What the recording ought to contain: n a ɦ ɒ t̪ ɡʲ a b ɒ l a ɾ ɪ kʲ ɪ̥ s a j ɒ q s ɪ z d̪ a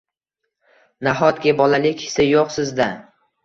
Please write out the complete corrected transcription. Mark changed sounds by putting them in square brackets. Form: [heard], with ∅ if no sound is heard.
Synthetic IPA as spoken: n a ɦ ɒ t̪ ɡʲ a b ɒ l a [l] ɪ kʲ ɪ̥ s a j [o] q s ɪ z d̪ a